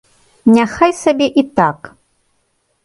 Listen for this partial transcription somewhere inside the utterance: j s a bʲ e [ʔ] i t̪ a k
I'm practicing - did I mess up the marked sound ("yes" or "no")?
no